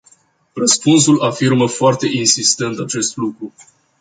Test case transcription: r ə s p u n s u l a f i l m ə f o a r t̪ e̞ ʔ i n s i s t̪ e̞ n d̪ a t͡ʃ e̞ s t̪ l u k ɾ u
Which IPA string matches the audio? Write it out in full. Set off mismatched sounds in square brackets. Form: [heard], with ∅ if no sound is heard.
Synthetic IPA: r ə s p u n s u l a f i [r] m ə f o a r t̪ e̞ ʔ i n s i s t̪ e̞ n [t̪] a t͡ʃ e̞ s t̪ l u k ɾ u

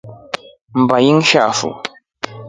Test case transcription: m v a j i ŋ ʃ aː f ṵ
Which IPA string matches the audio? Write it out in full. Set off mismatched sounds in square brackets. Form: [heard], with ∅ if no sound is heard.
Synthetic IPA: m [b] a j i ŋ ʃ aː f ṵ

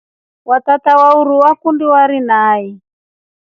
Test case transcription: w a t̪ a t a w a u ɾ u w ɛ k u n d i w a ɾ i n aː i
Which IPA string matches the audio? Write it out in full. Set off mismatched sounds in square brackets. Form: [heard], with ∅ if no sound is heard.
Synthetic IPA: w a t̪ a t a w a u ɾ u w [a] k u n d i w a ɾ i n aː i

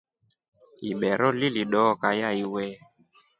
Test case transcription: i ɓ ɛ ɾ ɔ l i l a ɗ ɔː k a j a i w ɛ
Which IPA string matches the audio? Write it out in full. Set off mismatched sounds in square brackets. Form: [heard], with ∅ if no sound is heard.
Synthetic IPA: i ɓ ɛ ɾ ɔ l i l [i] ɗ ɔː k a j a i w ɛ

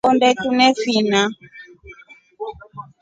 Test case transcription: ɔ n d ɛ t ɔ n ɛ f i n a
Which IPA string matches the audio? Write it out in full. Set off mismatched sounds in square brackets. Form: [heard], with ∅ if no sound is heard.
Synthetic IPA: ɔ n d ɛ t [u] n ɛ f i n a

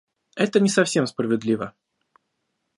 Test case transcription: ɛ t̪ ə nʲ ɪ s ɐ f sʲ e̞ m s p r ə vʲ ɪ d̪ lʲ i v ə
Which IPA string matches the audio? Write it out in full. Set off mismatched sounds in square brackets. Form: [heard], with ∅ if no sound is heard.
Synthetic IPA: ɛ t̪ ə nʲ ɪ s ɐ f sʲ e̞ m s p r ə vʲ ɪ d̪ lʲ i v ə

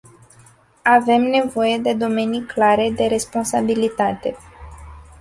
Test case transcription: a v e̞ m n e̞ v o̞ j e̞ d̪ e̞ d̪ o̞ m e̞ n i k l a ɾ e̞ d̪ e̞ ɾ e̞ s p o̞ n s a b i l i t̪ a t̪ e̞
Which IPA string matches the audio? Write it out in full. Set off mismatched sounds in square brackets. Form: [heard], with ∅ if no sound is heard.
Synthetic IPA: a v e̞ m n e̞ v o̞ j e̞ d̪ e̞ d̪ o̞ m e̞ n i k l a ɾ e̞ d̪ e̞ ɾ e̞ s p o̞ n s a b i l i t̪ a t̪ e̞

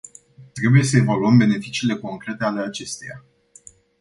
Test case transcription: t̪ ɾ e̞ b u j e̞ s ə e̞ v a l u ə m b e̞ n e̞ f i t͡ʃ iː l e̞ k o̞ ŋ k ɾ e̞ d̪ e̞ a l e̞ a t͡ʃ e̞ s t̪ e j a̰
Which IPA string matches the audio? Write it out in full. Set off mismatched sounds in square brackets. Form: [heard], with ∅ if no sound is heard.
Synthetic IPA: t̪ ɾ e̞ b u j e̞ s ə e̞ v a l u ə m b e̞ n e̞ f i t͡ʃ iː l e̞ k o̞ ŋ k ɾ e̞ [t̪] e̞ a l e̞ a t͡ʃ e̞ s t̪ e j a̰

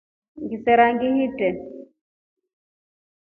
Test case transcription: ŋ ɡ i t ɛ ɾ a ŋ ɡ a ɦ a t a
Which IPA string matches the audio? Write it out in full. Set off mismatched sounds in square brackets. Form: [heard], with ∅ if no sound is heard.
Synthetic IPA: ŋ ɡ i [s] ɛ ɾ a ŋ ɡ [i] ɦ [i] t [ɛ]

